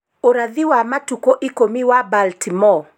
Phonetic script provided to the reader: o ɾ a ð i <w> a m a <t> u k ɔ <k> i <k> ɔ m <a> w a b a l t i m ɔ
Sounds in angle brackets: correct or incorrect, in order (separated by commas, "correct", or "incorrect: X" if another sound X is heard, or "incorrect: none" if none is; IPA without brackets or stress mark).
correct, correct, incorrect: ʔ, correct, incorrect: i